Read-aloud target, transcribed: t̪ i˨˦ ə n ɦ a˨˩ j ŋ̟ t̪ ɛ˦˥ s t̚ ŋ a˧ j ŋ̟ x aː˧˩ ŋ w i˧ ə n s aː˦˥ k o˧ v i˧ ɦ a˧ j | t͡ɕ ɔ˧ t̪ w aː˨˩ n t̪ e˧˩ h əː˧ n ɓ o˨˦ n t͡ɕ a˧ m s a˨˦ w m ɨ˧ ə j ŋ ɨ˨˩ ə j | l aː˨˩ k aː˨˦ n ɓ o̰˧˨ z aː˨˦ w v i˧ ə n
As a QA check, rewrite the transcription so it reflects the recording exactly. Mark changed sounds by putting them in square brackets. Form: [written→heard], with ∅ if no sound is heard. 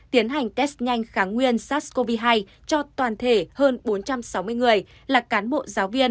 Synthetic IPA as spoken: t̪ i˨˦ ə n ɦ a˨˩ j ŋ̟ t̪ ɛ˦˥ s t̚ [ŋ→ɲ] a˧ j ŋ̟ x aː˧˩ ŋ w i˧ ə n s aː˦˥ k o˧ v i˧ ɦ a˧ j | t͡ɕ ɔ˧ t̪ w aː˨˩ n [t̪→t̪ʰ] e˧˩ h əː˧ n ɓ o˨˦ n t͡ɕ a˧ m s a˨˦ w m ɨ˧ ə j ŋ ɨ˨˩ ə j | l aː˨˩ k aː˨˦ n ɓ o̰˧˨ z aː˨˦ w v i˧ ə n